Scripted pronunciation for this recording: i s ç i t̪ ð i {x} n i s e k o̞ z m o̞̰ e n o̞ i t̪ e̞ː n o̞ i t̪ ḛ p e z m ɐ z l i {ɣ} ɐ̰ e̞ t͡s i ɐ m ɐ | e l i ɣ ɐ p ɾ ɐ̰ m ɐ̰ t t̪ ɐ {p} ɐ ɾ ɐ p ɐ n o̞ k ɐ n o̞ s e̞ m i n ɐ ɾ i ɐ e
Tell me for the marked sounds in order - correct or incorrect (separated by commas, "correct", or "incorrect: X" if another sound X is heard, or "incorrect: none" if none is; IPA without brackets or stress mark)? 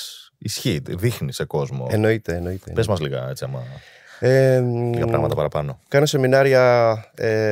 correct, correct, correct